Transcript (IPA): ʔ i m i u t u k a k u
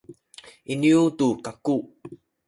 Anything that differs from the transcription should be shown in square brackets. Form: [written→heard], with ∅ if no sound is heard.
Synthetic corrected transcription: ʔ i [m→n] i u t u k a k u